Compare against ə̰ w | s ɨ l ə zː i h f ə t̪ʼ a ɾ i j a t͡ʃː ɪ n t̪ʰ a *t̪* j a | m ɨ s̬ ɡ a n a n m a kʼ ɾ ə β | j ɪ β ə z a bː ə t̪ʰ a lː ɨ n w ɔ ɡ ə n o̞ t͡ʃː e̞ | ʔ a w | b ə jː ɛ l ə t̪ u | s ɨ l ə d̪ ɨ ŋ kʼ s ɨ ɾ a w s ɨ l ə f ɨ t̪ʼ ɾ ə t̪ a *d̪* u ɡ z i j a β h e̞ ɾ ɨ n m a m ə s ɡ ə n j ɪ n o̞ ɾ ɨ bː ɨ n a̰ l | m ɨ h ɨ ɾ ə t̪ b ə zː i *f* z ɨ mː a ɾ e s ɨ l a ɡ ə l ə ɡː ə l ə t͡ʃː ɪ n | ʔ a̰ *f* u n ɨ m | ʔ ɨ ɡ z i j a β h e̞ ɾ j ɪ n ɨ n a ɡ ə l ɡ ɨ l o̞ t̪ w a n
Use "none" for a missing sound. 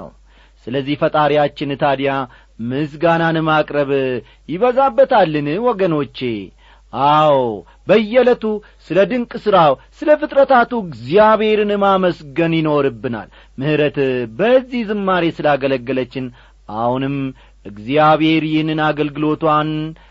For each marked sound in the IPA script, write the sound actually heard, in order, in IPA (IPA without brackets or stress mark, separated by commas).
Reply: d̪, t̪, h, h